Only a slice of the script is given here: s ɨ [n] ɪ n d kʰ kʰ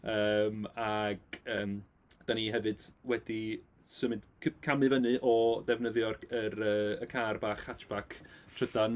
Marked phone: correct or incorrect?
incorrect